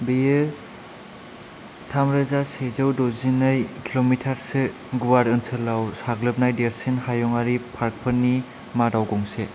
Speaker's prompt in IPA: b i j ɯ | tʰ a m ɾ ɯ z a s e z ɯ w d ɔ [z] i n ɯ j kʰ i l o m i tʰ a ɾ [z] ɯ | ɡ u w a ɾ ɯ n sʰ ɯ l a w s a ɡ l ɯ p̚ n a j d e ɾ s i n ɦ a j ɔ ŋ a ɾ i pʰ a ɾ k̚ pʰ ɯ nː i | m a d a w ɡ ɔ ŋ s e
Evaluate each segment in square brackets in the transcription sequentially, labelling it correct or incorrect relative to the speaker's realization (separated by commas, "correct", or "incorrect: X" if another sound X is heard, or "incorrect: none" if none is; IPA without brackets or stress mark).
correct, incorrect: s